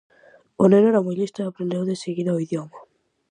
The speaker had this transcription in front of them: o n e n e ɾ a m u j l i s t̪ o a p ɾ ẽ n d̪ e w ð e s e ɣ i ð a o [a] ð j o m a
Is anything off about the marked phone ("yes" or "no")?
yes